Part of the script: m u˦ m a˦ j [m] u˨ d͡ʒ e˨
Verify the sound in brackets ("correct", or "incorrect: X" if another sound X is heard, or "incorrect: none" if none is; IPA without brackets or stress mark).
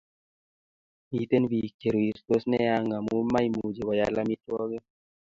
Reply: correct